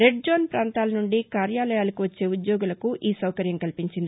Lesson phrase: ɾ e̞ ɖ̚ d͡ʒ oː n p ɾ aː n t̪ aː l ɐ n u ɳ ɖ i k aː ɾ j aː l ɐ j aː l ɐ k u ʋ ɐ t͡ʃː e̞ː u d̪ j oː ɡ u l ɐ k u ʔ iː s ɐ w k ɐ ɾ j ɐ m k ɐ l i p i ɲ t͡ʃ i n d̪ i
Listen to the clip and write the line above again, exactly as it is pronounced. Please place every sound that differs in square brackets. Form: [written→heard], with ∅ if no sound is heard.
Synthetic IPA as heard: ɾ e̞ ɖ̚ d͡ʒ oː n p ɾ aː n t̪ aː l ɐ n u ɳ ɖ i k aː ɾ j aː l ɐ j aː l ɐ k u ʋ ɐ t͡ʃː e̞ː u d̪ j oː ɡ u l ɐ k u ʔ iː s ɐ w k ɐ ɾ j ɐ m k ɐ l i p i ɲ t͡ʃ i n d̪ i